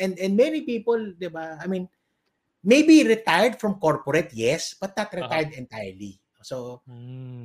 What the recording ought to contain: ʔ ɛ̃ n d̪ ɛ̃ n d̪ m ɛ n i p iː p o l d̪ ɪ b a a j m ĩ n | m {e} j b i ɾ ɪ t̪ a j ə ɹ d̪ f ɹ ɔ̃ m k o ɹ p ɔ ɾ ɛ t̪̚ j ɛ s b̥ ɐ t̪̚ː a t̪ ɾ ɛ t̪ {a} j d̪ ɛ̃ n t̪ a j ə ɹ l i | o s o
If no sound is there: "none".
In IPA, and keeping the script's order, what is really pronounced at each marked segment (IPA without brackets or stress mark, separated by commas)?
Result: e, a